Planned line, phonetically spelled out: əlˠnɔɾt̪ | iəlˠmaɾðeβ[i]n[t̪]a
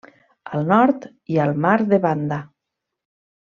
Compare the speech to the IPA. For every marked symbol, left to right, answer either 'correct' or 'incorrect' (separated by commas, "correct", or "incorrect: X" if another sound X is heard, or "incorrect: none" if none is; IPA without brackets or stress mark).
incorrect: a, incorrect: d̪